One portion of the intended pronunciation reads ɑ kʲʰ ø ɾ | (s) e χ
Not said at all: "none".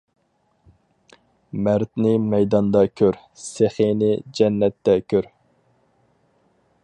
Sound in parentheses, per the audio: s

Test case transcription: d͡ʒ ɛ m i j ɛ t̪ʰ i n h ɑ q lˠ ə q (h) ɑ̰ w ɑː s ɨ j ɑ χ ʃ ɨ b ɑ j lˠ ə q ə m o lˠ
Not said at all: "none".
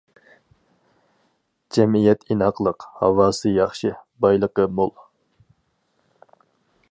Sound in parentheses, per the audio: h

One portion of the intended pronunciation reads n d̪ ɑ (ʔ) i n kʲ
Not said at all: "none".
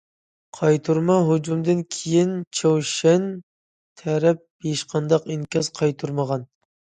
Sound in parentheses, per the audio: q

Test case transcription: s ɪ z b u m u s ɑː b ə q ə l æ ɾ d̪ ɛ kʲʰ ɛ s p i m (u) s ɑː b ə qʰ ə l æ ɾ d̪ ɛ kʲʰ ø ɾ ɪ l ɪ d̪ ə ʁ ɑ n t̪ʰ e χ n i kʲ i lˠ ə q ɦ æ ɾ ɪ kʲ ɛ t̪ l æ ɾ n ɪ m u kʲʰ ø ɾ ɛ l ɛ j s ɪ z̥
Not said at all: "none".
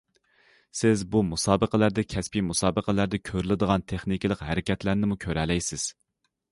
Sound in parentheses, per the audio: u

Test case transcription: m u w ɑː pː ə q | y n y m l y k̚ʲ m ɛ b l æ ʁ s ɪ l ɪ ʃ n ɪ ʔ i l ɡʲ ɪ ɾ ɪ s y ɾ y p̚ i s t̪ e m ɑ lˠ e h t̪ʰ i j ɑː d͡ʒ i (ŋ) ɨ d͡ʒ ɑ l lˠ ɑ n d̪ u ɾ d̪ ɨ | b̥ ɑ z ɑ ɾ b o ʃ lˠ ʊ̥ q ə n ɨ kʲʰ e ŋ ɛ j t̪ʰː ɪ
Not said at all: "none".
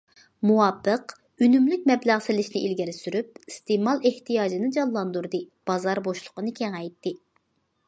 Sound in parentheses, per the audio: n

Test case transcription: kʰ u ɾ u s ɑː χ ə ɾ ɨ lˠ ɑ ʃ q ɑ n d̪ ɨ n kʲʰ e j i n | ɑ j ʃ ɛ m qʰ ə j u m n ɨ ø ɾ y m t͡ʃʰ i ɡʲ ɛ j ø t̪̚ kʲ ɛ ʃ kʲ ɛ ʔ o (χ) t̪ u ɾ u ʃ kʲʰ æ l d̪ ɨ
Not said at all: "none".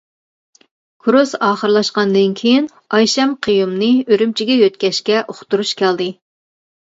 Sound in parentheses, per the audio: χ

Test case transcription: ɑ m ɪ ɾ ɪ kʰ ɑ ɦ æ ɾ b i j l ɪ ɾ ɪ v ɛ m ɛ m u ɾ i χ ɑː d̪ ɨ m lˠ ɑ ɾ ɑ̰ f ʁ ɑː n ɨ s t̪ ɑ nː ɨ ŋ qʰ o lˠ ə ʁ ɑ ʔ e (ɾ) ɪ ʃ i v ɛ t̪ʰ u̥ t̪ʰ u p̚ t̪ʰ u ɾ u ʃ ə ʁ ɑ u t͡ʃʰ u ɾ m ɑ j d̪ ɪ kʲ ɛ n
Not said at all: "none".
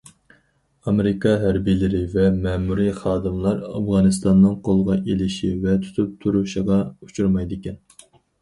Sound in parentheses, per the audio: l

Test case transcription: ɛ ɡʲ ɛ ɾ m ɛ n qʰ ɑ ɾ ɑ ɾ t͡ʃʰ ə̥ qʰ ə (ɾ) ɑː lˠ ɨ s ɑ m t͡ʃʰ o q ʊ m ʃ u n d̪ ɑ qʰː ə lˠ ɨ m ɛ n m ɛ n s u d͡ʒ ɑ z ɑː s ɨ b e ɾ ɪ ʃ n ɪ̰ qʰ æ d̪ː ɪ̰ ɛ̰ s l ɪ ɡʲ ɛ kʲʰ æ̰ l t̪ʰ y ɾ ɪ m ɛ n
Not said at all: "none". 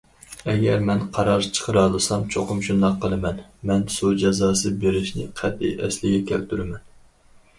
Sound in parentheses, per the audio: ɾ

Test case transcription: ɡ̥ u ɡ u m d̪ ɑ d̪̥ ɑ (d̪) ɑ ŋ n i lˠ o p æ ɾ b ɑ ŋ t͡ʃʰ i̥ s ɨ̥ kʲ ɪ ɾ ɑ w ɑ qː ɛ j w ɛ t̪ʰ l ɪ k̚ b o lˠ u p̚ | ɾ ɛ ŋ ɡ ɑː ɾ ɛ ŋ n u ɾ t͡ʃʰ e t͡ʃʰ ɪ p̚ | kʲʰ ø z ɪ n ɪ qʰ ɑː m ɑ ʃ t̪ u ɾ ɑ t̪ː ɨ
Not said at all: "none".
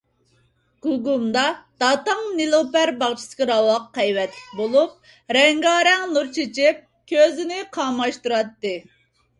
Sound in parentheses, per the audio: t̪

